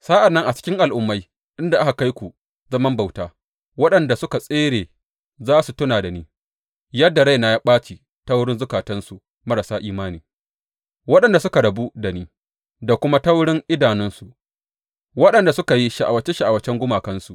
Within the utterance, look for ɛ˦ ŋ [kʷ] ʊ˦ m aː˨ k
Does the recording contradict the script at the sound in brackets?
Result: yes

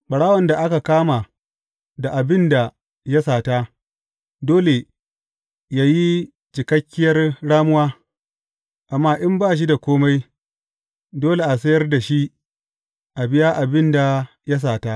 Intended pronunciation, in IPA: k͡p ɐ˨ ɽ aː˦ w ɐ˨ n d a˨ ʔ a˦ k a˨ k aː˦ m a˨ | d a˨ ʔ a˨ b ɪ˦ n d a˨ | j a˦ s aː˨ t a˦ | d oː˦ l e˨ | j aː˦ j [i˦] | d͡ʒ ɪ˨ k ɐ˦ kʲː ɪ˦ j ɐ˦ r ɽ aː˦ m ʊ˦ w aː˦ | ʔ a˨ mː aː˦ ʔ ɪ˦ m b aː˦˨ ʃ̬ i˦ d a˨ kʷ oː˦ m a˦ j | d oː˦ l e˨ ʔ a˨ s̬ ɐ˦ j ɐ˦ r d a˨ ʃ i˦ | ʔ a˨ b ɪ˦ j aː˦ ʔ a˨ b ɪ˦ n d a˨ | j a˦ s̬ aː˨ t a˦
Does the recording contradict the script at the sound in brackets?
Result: no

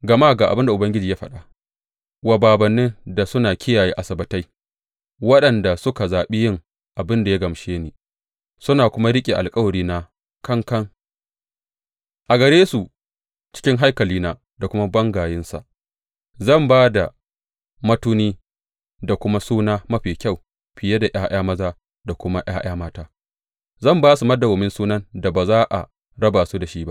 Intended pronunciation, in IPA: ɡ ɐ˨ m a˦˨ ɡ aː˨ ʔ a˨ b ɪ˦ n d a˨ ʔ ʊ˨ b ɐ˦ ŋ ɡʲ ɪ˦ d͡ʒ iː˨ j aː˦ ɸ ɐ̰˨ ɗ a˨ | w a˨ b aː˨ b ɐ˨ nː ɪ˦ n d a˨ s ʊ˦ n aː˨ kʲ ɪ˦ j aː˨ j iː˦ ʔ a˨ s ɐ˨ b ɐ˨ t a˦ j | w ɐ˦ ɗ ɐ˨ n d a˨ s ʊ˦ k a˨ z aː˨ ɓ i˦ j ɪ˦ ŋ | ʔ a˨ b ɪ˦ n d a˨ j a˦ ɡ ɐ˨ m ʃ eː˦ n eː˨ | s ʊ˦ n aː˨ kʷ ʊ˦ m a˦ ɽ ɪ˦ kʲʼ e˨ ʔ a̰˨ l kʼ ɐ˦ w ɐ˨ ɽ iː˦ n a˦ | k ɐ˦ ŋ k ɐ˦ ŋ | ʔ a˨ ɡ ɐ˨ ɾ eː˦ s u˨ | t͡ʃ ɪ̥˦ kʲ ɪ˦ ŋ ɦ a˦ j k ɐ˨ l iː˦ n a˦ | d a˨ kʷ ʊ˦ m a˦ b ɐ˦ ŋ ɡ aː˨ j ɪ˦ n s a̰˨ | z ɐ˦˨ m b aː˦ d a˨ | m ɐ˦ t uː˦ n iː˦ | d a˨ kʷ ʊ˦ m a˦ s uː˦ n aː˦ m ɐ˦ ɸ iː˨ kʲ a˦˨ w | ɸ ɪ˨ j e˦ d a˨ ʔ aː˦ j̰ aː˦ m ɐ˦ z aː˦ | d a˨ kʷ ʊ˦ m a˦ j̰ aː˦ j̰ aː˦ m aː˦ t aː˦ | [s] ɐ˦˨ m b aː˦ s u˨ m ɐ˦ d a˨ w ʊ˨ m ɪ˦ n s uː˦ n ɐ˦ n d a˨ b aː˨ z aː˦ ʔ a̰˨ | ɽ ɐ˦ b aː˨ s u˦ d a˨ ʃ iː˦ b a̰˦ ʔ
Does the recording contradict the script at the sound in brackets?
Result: yes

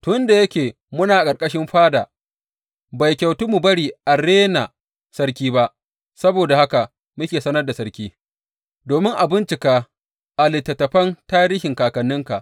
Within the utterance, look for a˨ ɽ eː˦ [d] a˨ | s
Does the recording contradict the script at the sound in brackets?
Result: yes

